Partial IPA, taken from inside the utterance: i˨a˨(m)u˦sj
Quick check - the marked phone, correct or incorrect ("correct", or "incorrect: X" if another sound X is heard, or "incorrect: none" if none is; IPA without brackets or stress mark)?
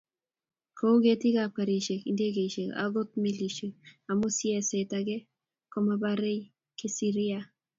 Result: correct